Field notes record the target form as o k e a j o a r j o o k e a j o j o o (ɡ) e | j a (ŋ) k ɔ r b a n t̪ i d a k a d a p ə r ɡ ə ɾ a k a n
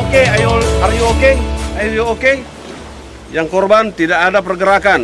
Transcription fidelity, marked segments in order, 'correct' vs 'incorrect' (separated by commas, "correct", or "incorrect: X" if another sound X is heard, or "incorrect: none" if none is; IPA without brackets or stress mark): incorrect: k, correct